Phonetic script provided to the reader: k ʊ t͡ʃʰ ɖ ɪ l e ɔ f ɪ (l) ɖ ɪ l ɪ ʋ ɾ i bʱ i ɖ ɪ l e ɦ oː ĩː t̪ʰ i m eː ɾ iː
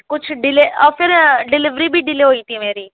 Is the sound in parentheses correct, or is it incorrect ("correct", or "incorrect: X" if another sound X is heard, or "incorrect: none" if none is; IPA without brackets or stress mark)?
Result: incorrect: ɾ